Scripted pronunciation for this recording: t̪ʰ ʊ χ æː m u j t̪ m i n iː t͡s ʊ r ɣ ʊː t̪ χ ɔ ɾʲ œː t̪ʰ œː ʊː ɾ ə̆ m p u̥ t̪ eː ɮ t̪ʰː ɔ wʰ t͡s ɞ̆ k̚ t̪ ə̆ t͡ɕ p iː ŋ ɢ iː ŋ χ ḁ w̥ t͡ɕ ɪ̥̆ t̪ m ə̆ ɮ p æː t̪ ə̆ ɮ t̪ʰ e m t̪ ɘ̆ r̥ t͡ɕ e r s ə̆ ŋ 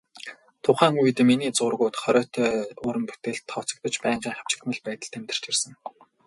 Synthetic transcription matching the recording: t̪ʰ ʊ χ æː ŋ u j t̪ m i n iː t͡s ʊ r ɣ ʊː t̪ χ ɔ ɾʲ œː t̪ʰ œː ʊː ɾ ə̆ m p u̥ t̪ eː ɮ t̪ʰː ɔ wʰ t͡s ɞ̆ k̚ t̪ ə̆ t͡ɕ p æː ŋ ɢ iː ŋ χ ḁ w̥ t͡ɕ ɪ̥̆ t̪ m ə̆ ɮ p æː t̪ ə̆ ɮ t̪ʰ e m t̪ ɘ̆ r̥ t͡ɕ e r s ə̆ ŋ